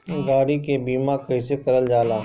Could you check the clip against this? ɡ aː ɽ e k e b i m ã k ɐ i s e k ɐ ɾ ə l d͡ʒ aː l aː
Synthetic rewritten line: ɡ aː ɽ i k e b iː m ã k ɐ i s e k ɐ ɾ ə l d͡ʒ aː l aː